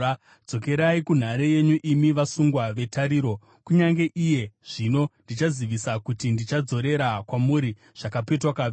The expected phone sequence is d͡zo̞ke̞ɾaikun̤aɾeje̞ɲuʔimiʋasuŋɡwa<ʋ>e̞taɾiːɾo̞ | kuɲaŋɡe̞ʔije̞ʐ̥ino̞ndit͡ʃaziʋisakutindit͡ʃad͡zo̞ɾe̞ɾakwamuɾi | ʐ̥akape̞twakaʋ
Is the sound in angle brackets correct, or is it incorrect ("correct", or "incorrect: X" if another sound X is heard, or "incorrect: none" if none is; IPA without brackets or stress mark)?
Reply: correct